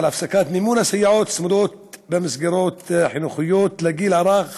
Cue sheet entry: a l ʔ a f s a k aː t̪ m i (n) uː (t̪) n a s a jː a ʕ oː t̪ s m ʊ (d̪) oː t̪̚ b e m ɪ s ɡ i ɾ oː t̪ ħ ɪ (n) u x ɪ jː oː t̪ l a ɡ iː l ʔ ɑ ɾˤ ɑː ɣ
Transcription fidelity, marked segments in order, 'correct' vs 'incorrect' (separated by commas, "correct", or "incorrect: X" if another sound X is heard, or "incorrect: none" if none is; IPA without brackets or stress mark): incorrect: m, incorrect: none, correct, correct